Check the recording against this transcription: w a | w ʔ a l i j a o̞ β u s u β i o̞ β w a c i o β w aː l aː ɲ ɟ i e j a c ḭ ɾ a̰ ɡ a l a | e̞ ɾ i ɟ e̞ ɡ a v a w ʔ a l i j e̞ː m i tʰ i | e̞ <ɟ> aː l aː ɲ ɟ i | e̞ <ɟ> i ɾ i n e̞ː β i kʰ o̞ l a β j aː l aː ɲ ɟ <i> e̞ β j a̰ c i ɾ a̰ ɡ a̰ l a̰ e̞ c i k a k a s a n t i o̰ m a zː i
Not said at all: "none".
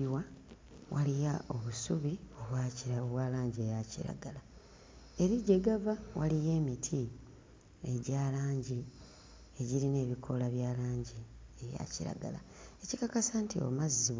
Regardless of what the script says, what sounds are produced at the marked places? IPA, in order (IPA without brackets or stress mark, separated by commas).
ɟ, ɟ, i